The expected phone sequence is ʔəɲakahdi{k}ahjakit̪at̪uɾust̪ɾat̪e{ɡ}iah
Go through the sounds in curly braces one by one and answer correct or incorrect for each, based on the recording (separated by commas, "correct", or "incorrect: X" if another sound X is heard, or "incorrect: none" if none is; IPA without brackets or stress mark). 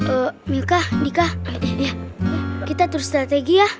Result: correct, correct